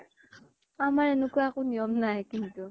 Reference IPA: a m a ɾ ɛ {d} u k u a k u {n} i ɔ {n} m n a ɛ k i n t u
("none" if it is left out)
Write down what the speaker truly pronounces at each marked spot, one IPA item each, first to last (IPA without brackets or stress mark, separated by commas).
n, n, none